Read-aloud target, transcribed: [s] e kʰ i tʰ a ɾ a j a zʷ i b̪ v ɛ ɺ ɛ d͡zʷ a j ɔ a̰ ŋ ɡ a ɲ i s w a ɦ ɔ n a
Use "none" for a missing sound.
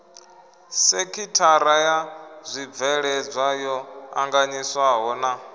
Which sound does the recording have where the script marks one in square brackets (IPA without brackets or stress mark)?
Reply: s